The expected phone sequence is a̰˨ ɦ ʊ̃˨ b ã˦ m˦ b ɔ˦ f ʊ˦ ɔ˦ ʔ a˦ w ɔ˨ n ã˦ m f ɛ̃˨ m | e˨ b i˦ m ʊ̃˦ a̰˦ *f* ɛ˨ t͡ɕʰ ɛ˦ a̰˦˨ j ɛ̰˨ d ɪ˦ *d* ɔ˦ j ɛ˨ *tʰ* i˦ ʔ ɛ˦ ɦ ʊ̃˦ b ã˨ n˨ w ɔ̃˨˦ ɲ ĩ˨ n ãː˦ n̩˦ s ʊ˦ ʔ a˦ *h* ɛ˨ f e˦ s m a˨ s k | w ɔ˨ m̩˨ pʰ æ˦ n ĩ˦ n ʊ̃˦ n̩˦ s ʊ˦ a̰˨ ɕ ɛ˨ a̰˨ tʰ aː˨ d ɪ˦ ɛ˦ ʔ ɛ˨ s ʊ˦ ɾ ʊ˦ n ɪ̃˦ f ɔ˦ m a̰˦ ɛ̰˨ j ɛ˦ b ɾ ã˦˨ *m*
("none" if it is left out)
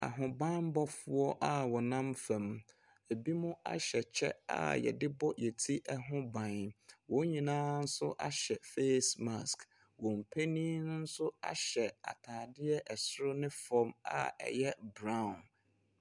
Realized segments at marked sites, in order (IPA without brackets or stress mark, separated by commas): ɕ, b, tʰ, ɕ, n